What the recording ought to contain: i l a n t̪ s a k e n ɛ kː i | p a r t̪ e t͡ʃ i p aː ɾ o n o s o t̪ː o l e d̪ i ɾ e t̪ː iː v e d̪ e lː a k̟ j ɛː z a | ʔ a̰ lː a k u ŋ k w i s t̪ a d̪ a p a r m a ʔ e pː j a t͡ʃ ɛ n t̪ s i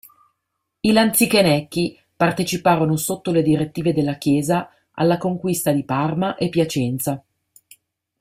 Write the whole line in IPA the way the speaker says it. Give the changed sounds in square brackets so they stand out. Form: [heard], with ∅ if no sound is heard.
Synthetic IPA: i l a n t̪ s [i] k e n ɛ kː i | p a r t̪ e t͡ʃ i p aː ɾ o n o s o t̪ː o l e d̪ i ɾ e t̪ː iː v e d̪ e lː a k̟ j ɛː z a | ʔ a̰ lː a k [o] ŋ k w i s t̪ a d̪ [i] p a r m a ʔ e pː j a t͡ʃ ɛ n t̪ s [a]